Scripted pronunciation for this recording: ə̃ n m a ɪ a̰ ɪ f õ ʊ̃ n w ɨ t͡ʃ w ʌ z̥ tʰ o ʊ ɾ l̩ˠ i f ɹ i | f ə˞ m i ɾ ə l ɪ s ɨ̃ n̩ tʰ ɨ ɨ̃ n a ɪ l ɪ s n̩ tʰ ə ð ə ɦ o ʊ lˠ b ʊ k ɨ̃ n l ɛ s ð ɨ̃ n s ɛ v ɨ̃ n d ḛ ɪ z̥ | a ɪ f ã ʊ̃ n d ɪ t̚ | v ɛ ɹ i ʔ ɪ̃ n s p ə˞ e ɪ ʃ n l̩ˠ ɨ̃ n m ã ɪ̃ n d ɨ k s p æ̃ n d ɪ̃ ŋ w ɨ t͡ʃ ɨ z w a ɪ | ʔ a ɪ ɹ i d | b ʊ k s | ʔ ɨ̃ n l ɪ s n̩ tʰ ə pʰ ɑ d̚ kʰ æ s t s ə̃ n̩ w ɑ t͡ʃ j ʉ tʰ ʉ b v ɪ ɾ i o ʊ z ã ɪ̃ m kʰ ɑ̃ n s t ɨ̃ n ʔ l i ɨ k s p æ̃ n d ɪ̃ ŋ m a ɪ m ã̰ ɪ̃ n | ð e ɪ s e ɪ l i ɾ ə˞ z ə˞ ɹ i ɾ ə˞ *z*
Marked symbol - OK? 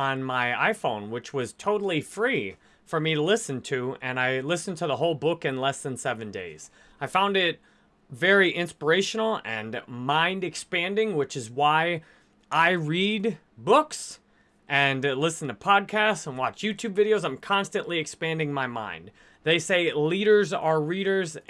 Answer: yes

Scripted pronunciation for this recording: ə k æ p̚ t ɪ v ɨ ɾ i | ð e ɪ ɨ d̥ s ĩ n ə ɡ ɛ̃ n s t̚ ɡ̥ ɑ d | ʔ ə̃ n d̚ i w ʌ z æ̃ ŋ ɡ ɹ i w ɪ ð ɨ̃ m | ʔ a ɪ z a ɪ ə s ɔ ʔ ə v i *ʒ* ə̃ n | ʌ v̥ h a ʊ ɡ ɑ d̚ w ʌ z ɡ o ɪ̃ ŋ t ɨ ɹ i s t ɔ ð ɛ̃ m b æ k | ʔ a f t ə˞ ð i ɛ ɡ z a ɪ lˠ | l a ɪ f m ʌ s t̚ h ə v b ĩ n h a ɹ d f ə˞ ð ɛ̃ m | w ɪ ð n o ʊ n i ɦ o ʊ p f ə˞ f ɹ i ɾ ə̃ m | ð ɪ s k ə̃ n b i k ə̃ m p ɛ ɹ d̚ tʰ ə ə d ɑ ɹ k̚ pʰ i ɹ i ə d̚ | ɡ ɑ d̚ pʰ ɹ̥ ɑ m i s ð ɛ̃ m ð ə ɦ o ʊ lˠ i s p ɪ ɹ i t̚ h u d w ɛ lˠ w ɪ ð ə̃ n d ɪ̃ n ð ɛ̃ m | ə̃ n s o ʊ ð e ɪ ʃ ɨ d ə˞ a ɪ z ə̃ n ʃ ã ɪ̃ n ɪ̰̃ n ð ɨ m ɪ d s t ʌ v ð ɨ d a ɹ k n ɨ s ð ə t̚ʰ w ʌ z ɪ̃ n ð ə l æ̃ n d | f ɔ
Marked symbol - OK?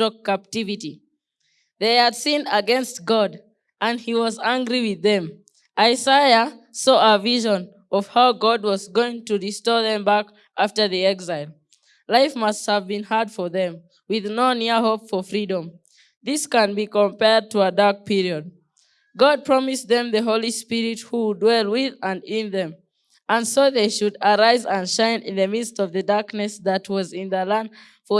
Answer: yes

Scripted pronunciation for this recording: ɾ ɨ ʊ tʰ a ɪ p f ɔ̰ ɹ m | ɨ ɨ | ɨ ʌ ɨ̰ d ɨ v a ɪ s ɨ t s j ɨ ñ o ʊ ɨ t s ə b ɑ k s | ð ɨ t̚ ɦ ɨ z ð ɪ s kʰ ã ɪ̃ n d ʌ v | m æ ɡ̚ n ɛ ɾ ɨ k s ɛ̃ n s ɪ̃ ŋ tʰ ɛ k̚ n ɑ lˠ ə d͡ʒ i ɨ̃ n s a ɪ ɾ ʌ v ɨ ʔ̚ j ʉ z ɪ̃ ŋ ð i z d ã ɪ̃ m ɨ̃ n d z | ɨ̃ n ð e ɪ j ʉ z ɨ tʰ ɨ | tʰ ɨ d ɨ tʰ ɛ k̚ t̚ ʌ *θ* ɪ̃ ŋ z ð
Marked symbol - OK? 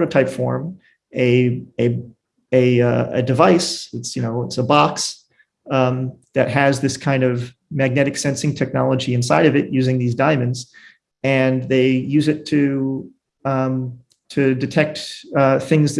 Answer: yes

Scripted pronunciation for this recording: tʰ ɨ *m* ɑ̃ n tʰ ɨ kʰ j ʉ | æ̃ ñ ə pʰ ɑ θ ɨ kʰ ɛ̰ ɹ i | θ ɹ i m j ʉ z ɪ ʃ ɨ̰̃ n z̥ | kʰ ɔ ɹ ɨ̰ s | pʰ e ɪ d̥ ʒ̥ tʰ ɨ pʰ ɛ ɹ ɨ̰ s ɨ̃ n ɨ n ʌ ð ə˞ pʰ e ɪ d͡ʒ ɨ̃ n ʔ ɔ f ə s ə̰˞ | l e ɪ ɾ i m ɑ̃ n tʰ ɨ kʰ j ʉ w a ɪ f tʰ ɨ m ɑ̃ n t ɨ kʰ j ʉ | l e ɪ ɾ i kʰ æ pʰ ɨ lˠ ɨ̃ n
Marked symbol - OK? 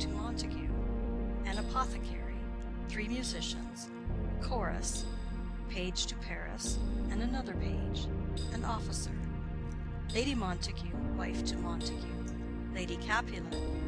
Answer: yes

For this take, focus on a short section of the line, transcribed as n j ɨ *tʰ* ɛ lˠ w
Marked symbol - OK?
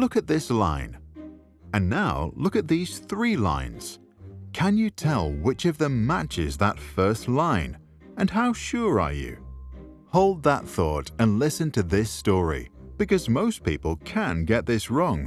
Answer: yes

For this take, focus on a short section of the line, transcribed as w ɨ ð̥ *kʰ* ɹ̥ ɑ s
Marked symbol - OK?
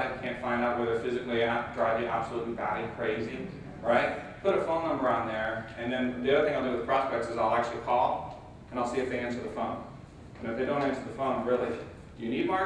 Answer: no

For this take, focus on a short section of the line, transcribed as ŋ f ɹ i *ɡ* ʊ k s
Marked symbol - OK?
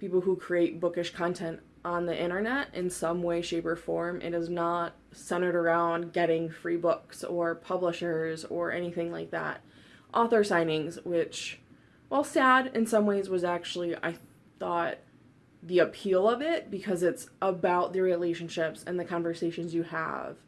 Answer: no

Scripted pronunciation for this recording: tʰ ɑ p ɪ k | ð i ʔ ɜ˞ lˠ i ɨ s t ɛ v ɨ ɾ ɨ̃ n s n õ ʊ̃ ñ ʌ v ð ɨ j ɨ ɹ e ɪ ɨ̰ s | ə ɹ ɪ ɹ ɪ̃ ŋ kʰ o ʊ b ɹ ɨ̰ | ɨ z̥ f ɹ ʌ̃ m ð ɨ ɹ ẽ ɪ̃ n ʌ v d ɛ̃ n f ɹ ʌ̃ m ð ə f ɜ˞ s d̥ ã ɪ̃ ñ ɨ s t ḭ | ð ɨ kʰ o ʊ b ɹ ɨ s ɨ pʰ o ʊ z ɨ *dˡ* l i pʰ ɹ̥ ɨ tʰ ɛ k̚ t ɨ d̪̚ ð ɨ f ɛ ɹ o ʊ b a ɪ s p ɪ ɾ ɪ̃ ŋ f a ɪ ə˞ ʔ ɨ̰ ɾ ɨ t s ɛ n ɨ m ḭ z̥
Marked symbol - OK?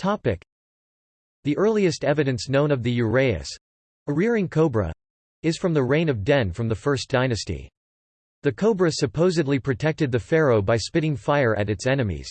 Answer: yes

